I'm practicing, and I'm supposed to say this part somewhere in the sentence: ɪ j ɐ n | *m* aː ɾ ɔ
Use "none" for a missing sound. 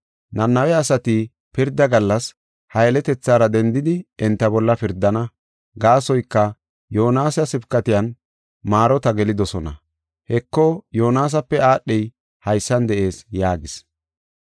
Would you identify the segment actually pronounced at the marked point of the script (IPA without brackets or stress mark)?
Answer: m